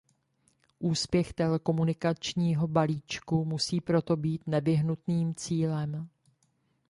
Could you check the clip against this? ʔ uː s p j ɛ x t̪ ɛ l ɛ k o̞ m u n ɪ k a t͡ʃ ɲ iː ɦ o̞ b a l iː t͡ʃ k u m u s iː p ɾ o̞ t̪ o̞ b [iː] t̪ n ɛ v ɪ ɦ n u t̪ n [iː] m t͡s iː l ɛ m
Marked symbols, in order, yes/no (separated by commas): yes, yes